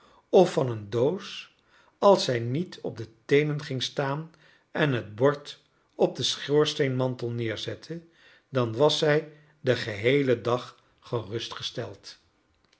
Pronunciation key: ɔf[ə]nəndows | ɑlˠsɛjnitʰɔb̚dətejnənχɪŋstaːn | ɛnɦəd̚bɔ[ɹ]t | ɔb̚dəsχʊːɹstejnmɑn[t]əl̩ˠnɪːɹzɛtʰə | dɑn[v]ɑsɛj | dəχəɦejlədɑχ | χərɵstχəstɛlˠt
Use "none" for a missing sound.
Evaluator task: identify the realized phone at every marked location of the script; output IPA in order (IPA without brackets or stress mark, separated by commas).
ɑ, ɹ, t, ʋ